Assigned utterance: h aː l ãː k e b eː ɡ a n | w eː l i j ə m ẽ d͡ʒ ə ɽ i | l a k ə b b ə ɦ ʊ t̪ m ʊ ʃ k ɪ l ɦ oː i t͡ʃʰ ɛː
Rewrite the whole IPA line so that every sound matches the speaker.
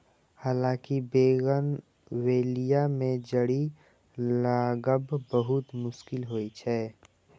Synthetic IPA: h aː l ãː k i b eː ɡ ə n | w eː l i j a m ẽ d͡ʒ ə ɽ i | l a ɡ ə b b ə ɦ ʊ t̪ m ʊ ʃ k ɪ l ɦ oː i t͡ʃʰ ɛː